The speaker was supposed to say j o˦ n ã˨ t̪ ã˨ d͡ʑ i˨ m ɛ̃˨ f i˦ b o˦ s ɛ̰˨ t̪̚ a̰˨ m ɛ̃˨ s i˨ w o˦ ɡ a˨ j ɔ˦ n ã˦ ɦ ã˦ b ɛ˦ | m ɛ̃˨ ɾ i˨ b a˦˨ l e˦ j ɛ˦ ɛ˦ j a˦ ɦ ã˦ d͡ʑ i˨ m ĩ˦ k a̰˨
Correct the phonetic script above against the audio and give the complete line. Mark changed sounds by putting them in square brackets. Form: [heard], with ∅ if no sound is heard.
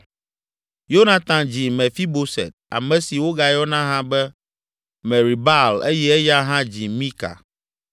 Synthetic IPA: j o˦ n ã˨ t̪ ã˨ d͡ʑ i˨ m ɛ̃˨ f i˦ b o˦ s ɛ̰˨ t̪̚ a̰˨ m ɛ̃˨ s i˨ w o˦ ɡ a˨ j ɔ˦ n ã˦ ɦ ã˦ b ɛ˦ | m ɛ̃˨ ɾ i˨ b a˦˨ l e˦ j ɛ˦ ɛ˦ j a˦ ɦ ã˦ d͡ʑ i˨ m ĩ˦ k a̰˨